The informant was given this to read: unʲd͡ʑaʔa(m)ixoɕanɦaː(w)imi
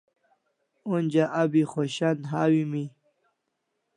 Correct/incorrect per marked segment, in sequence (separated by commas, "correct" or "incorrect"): incorrect, correct